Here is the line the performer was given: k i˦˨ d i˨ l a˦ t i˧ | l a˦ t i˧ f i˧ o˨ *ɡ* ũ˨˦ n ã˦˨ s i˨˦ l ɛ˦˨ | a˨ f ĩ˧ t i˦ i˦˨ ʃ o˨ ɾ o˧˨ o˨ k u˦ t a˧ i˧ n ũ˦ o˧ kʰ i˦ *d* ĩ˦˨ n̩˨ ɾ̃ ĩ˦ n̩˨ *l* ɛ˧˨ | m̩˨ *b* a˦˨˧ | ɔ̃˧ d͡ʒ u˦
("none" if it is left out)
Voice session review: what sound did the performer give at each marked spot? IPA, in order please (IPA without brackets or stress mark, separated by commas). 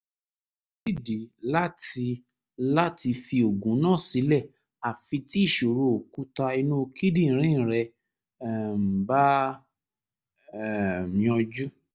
ɡ, d, ɾ, b